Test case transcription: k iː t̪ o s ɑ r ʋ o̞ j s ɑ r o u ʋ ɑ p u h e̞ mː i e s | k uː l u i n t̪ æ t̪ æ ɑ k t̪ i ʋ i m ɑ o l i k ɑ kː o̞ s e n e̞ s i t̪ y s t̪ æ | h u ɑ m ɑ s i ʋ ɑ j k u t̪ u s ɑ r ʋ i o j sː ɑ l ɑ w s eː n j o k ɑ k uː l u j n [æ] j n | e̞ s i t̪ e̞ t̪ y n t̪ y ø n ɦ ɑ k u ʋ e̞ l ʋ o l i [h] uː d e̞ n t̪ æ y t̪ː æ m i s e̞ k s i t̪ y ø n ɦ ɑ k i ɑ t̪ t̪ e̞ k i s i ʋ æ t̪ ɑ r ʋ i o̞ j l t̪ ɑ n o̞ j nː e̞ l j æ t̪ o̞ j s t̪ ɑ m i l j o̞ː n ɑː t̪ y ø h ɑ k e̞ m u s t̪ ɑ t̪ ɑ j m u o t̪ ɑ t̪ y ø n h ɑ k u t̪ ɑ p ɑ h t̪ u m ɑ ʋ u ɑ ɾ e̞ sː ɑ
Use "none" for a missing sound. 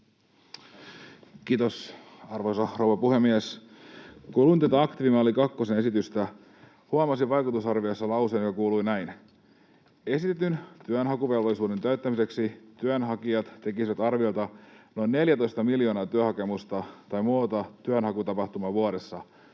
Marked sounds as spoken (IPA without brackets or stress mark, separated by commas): æ, s